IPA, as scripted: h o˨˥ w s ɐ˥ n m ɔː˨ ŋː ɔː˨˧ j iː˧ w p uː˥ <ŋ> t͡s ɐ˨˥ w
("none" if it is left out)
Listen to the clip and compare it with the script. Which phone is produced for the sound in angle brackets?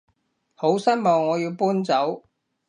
n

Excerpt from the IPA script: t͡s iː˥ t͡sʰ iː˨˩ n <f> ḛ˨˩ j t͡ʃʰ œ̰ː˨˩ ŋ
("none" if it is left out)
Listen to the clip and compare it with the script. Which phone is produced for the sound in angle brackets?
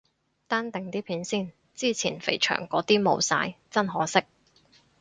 f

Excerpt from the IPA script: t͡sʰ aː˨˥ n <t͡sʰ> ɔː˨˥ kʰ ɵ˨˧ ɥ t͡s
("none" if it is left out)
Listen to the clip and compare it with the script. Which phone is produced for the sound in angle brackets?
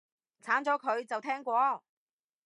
t͡s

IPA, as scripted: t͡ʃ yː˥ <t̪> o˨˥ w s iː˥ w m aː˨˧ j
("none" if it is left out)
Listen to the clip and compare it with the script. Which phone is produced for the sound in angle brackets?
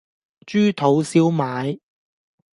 t̪ʰ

